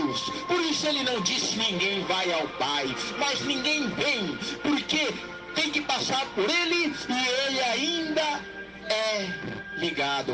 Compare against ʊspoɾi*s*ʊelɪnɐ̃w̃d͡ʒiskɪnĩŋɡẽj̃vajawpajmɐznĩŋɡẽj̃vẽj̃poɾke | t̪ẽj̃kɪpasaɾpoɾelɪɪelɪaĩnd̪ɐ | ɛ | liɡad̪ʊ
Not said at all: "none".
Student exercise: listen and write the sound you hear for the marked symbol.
s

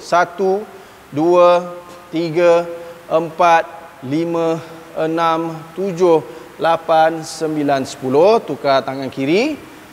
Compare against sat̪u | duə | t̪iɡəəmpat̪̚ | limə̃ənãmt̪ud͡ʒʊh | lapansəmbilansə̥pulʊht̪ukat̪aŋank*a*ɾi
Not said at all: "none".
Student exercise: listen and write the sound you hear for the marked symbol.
i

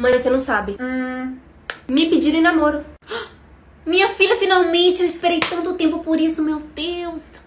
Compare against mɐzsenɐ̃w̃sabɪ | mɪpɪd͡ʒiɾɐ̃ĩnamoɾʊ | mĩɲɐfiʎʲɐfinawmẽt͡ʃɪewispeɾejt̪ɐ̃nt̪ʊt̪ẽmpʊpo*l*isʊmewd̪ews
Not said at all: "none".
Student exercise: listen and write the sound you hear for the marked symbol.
ɾ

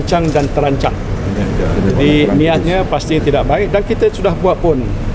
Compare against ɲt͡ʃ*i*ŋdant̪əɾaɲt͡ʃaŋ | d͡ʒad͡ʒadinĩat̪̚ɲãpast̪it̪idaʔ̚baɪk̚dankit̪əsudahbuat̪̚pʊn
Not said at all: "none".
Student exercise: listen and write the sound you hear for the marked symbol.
a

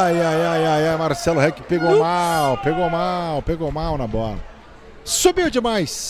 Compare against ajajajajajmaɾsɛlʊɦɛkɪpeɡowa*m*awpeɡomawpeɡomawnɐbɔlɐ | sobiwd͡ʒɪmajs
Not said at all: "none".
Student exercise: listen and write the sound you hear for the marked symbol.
m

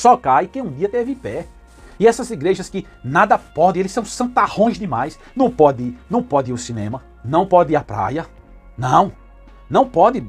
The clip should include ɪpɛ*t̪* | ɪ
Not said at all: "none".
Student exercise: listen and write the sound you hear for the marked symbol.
none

